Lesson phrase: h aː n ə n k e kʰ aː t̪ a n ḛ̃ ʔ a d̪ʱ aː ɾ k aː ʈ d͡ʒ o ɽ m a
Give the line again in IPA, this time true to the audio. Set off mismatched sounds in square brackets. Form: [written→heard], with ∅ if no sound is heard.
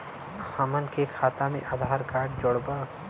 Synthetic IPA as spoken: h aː [n→m] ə n k e kʰ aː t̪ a [n→m] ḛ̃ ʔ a d̪ʱ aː ɾ k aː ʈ d͡ʒ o ɽ [m→b] a